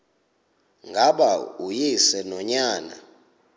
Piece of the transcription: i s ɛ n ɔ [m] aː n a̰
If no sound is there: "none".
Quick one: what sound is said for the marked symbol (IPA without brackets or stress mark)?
ɲ